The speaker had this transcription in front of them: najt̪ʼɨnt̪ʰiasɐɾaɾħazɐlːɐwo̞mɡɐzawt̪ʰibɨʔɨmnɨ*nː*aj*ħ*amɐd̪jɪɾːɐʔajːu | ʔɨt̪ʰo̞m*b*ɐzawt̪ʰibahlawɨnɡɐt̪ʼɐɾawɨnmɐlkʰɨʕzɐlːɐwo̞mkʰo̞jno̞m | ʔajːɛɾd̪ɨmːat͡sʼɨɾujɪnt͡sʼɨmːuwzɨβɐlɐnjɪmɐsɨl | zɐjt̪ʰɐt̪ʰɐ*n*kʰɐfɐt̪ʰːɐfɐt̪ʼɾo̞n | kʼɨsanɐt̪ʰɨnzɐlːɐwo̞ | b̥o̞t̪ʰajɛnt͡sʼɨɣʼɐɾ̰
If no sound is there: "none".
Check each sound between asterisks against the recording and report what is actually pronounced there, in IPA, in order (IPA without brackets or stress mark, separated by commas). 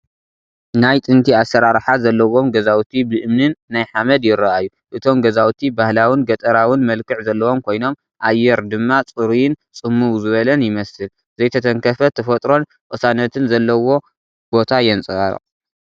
nː, ħ, ɡ, ŋ